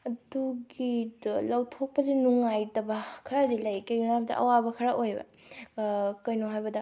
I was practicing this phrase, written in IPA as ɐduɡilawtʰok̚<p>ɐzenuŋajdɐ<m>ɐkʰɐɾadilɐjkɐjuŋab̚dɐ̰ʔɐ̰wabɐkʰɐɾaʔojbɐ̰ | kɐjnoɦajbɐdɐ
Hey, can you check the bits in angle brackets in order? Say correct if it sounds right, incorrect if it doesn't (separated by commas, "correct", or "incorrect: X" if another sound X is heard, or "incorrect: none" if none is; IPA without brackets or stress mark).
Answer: correct, incorrect: b